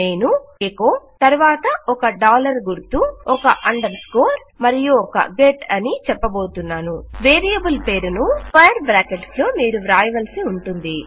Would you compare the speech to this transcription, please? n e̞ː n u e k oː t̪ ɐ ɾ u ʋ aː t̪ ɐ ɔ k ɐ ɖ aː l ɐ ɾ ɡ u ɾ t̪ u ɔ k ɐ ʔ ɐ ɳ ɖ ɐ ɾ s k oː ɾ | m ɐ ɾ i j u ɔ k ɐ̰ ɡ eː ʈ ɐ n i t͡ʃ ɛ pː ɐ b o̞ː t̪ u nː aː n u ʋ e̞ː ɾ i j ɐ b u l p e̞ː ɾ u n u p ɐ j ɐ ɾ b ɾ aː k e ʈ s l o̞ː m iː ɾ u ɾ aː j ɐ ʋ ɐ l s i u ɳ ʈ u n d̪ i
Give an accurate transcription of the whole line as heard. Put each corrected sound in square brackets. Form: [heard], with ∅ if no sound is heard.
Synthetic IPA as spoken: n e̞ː n u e k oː t̪ ɐ ɾ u ʋ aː t̪ ɐ ɔ k ɐ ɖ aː l ɐ ɾ ɡ u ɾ t̪ u ɔ k ɐ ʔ ɐ ɳ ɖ ɐ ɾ s k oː ɾ | m ɐ ɾ i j u ɔ k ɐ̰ ɡ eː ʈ ɐ n i t͡ʃ ɛ pː ɐ b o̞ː t̪ u nː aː n u ʋ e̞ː ɾ i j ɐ b u l p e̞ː ɾ u n u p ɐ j ɐ ɾ b ɾ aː k e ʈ s l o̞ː m iː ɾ u ɾ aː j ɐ ʋ ɐ l s i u ɳ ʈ u n d̪ i